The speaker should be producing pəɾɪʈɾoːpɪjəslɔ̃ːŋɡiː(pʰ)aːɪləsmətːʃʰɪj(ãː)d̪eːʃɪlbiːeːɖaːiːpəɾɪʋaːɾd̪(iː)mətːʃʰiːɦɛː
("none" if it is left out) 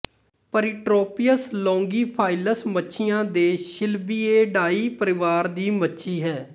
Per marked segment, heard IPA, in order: pʰ, ãː, iː

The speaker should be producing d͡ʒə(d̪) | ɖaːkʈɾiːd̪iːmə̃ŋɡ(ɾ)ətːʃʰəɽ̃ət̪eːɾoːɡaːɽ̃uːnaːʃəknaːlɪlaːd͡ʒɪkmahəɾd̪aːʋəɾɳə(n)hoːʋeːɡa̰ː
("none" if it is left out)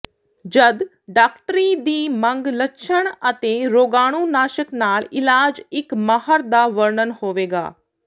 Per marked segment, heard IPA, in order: d̪, l, n

